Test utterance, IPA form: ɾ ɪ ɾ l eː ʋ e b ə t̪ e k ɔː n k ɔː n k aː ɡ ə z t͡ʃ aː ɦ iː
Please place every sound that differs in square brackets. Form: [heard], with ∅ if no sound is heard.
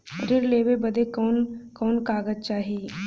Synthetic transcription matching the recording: ɾ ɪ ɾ l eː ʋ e b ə [d̪] e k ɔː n k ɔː n k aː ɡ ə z t͡ʃ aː ɦ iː